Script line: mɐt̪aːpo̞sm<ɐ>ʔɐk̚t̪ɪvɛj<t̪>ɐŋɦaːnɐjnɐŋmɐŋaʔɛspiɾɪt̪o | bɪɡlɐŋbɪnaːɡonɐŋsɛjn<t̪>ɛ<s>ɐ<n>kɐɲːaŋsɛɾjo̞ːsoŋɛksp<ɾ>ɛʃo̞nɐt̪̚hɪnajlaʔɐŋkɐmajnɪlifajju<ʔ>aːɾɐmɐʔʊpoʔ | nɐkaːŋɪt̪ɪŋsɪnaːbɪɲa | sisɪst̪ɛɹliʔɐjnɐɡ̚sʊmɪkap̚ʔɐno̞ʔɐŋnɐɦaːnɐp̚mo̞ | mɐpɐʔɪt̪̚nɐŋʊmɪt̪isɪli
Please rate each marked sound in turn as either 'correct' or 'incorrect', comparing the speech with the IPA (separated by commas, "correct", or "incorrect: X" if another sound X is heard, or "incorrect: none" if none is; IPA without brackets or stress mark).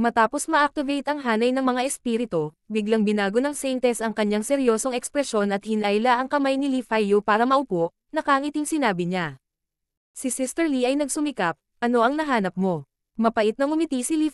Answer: correct, correct, correct, correct, incorrect: ŋ, correct, incorrect: p